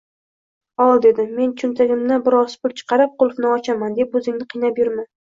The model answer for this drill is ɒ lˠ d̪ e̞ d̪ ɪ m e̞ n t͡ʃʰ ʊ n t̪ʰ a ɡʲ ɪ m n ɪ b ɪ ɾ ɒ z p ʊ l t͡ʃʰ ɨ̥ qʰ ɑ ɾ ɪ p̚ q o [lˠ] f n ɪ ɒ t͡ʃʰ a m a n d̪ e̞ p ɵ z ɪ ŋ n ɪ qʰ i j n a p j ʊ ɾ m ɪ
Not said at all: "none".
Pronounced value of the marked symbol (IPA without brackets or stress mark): lˠ